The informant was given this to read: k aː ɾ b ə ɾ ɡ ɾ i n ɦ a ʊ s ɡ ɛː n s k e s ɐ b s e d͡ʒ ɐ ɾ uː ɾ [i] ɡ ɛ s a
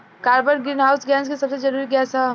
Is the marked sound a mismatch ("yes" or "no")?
no